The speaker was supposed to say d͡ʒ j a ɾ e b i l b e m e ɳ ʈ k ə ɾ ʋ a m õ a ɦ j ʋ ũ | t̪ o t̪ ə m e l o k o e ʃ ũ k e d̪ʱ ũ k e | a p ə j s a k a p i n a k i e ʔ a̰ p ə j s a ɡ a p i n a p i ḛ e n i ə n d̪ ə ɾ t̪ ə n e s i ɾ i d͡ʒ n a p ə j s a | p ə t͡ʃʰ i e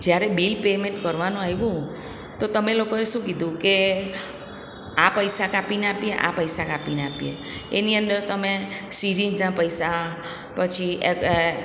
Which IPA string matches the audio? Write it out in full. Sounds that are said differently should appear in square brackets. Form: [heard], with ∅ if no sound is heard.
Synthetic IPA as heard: d͡ʒ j a ɾ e b i l [p] e m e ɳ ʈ k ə ɾ ʋ a [n] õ a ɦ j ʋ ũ | t̪ o t̪ ə m e l o k o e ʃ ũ k [i] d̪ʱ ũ k e | a p ə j s a k a p i n a [p] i e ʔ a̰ p ə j s a [k] a p i n a p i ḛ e n i ə n d̪ ə ɾ t̪ ə [m] e s i ɾ i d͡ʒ n a p ə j s a | p ə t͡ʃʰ i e